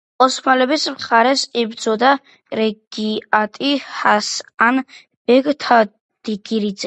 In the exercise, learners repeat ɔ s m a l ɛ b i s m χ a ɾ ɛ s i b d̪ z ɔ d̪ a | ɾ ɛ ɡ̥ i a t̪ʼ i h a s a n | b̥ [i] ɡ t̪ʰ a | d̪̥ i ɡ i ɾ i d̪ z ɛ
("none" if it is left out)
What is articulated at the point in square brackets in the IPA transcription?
ɛ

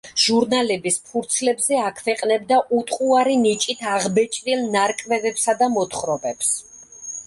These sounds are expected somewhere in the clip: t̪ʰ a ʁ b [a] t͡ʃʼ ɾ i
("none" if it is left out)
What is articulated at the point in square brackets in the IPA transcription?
ɛ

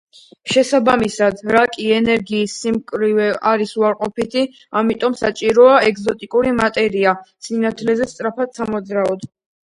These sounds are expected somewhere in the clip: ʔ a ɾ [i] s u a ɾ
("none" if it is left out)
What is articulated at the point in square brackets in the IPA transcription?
i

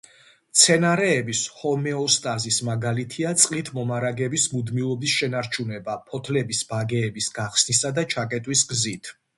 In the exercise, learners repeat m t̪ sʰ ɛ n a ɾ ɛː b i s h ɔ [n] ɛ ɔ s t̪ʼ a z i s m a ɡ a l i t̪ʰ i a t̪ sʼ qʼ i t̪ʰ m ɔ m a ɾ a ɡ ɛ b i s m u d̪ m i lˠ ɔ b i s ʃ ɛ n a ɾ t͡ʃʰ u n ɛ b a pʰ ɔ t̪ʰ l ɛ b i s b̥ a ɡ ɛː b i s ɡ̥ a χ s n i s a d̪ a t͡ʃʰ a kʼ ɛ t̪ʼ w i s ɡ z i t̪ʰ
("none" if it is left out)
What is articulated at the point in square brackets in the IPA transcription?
m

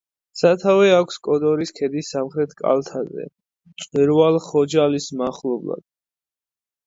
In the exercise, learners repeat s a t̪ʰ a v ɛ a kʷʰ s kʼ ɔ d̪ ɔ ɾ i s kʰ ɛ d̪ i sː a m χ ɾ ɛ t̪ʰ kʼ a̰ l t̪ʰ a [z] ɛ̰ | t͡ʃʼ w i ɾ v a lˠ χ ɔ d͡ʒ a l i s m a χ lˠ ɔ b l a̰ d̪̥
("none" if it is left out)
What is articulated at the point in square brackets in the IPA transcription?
z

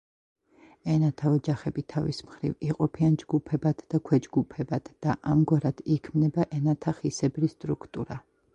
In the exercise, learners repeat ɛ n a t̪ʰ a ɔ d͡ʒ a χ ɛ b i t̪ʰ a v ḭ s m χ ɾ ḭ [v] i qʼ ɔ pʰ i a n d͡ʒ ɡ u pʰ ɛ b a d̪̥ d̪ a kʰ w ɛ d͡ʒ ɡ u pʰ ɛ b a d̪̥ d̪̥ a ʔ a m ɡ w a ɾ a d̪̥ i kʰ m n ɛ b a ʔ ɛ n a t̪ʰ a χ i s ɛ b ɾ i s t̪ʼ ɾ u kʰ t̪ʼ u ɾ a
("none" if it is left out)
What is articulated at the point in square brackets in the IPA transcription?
v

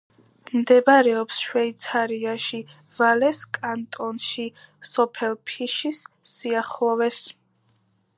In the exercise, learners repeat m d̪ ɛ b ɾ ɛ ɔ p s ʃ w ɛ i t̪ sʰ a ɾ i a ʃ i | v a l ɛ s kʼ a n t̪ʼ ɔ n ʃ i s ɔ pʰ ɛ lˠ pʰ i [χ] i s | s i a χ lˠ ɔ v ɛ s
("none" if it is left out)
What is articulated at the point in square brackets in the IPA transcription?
ʃ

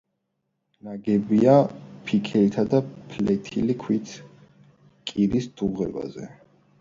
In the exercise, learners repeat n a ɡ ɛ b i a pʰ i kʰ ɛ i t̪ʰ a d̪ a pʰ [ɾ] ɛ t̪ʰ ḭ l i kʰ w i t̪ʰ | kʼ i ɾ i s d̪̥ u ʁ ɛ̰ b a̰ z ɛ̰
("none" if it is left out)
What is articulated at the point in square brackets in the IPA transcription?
l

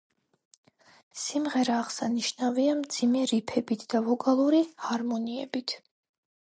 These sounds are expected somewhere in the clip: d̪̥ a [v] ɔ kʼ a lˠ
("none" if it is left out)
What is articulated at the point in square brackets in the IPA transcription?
v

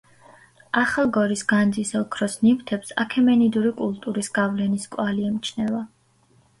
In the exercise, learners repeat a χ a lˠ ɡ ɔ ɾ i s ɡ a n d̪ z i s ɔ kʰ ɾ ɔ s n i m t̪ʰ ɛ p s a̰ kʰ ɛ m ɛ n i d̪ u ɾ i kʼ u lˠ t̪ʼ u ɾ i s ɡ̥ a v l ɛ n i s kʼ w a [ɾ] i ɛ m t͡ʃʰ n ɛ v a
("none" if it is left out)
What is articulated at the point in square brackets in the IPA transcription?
l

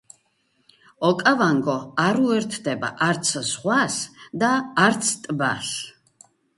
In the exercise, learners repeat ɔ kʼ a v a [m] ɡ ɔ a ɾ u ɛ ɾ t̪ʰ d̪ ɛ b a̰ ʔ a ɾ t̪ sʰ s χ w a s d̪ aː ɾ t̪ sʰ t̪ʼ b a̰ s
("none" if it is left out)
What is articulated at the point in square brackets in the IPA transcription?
ŋ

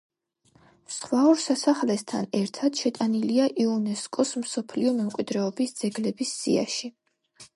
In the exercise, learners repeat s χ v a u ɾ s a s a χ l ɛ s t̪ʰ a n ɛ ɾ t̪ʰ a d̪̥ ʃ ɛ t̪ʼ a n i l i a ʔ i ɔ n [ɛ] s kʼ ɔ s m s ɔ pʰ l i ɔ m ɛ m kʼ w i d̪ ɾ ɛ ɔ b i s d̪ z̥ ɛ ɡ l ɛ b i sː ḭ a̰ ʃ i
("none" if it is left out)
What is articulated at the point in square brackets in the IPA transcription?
ɛ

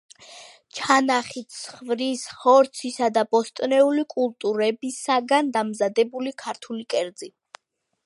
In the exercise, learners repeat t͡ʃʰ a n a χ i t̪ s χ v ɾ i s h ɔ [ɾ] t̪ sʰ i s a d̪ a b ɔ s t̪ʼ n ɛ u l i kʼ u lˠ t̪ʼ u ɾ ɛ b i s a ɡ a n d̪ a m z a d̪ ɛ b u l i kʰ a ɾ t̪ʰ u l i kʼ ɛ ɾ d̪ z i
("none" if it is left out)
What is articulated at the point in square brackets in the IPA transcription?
ɾ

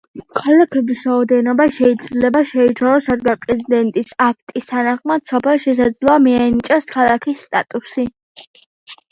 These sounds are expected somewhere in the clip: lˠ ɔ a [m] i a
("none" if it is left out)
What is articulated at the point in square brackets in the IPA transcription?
m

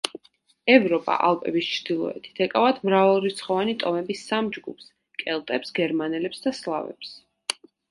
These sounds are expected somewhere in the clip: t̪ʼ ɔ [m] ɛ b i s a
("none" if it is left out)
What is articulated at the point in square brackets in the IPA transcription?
m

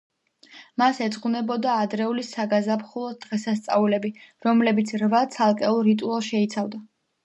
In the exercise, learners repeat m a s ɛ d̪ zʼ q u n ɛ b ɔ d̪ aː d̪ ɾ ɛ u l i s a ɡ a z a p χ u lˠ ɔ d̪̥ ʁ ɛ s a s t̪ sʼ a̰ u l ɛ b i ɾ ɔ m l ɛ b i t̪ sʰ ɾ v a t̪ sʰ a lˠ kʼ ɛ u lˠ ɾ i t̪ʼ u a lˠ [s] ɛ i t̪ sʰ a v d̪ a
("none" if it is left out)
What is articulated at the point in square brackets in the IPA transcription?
ʃ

